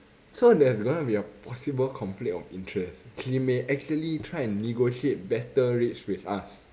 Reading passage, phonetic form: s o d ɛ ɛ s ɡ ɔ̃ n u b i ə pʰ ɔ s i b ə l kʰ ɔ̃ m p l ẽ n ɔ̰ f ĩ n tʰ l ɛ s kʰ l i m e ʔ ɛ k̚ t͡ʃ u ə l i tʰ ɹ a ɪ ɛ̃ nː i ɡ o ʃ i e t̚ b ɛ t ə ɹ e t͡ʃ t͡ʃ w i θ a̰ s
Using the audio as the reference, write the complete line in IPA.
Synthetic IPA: s o d ɛ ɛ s ɡ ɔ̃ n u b i ə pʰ ɔ s i b ə l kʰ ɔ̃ m p l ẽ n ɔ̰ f ĩ n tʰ ɹ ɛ s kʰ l i m e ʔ ɛ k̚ t͡ʃ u ə l i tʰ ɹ a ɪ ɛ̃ nː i ɡ o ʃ i e t̚ b ɛ t ə ɹ e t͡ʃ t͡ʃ w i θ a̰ s